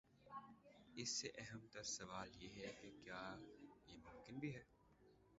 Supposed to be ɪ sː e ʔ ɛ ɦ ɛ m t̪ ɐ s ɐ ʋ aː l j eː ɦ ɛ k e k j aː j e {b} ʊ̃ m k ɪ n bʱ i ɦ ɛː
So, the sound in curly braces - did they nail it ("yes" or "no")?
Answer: no